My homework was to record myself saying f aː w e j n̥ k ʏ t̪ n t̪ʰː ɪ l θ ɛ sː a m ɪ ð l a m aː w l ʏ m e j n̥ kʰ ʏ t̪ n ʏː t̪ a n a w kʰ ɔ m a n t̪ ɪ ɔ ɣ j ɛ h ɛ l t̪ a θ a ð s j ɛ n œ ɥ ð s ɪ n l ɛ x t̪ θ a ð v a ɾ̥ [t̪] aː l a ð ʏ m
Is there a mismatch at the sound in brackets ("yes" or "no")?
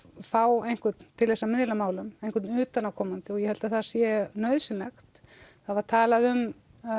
yes